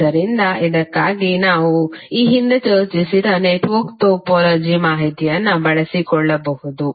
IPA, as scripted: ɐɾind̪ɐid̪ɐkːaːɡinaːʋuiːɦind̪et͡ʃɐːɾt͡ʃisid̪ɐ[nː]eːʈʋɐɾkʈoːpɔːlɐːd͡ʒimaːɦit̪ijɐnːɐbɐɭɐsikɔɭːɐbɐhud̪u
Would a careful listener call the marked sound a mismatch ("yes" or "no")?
yes